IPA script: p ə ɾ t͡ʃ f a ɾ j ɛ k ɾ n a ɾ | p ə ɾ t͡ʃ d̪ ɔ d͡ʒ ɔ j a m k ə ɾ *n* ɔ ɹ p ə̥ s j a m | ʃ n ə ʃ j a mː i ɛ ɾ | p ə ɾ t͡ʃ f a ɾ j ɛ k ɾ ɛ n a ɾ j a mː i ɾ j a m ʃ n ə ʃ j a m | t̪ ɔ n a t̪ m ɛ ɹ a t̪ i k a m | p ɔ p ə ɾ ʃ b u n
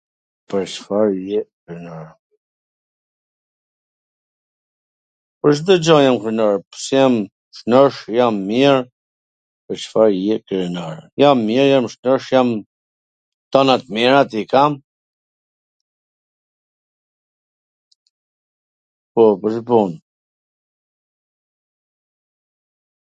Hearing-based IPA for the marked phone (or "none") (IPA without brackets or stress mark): n